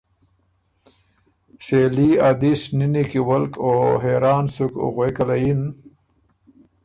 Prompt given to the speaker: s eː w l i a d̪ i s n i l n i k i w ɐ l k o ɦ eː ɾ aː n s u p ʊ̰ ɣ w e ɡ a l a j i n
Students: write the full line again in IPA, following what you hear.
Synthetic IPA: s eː l i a d̪ i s n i n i k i w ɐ l k o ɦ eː ɾ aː n s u k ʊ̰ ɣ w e k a l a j i n